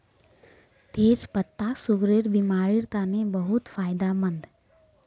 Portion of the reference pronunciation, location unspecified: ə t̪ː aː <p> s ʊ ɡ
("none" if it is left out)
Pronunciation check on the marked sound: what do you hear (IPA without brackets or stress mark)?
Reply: none